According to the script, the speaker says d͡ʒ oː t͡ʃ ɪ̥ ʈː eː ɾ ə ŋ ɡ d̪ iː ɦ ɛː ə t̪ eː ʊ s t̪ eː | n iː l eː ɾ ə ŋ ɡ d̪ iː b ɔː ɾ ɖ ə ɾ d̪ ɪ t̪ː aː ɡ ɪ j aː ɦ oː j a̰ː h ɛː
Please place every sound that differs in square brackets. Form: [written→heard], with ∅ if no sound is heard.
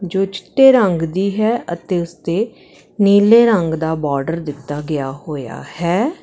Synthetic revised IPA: d͡ʒ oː t͡ʃ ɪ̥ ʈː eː ɾ ə ŋ ɡ d̪ iː ɦ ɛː ə t̪ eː ʊ s t̪ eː | n iː l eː ɾ ə ŋ ɡ d̪ [iː→aː] b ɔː ɾ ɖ ə ɾ d̪ ɪ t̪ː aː ɡ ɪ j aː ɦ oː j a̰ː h ɛː